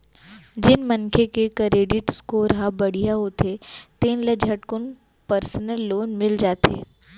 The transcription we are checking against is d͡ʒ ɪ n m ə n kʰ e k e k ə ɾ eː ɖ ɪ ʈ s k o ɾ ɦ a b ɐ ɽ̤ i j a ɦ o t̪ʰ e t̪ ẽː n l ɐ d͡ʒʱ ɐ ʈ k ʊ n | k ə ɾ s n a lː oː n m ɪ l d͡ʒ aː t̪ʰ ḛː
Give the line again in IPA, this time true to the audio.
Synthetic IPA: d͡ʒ ɪ n m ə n kʰ e k e k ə ɾ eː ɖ ɪ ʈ s k o ɾ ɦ a b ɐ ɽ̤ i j a ɦ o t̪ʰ e t̪ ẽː n l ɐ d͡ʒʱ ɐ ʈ k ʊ n | p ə ɾ s n ə lː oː n m ɪ l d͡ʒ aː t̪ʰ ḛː